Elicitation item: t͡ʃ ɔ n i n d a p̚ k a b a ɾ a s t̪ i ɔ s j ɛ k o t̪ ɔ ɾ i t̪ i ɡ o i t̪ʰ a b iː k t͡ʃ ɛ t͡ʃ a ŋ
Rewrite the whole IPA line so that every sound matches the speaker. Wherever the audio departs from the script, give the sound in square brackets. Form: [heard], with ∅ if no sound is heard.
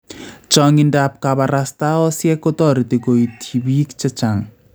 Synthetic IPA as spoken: t͡ʃ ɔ [ŋ] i n d a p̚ k a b a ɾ a s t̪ [a] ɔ s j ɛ k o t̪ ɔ ɾ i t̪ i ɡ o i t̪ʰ [i] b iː k t͡ʃ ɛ t͡ʃ a ŋ